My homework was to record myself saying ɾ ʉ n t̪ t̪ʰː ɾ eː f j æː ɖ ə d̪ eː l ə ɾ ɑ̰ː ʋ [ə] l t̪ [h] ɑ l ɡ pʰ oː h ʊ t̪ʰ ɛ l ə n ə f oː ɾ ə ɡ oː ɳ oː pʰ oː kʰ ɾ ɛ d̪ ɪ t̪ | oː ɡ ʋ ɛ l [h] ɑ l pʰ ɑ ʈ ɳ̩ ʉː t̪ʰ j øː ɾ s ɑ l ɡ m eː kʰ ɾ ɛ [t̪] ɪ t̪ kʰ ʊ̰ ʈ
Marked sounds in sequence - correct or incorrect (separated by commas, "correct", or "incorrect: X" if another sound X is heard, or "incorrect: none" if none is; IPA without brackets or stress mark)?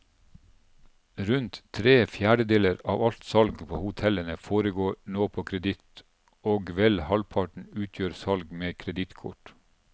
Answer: incorrect: ɑ, incorrect: s, correct, incorrect: d̪